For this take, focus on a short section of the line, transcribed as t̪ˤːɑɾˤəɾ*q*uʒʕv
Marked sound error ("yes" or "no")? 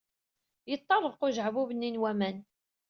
no